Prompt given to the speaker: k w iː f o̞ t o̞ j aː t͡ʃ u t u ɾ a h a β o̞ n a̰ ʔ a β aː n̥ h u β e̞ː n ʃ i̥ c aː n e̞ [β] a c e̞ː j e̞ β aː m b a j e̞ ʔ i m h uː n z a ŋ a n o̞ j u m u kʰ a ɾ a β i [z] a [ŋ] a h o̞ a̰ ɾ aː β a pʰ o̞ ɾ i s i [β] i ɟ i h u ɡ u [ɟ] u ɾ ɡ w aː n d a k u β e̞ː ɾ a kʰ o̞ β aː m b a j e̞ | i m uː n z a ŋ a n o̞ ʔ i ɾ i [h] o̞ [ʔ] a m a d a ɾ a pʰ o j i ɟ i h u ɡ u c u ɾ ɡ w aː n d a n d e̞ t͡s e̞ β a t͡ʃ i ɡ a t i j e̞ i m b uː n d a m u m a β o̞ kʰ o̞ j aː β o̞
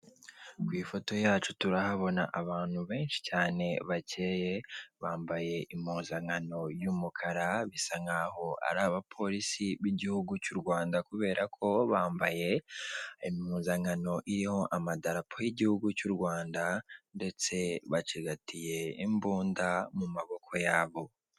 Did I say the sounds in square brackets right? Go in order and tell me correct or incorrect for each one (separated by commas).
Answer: correct, incorrect, correct, correct, incorrect, correct, correct